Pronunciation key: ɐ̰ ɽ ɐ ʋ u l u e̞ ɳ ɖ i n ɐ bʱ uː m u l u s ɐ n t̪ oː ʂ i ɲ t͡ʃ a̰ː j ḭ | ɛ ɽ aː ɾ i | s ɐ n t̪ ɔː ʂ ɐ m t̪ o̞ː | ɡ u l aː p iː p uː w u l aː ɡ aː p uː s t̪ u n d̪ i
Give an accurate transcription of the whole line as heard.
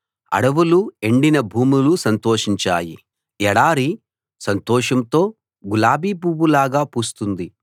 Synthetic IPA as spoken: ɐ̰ ɽ ɐ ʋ u l u e̞ ɳ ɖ i n ɐ bʱ uː m u l u s ɐ n t̪ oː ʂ i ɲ t͡ʃ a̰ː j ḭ | ɛ ɽ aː ɾ i | s ɐ n t̪ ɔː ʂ ɐ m t̪ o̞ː | ɡ u l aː b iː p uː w u l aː ɡ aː p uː s t̪ u n d̪ i